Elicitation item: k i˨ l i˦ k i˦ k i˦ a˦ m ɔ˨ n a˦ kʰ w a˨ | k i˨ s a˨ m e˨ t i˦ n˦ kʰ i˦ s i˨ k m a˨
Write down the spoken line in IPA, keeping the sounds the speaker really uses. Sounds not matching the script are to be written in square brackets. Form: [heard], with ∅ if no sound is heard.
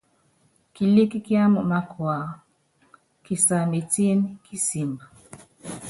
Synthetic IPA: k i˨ l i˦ k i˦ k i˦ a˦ m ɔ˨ [m] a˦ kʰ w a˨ | k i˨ s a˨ m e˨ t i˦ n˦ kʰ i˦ s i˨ [∅] m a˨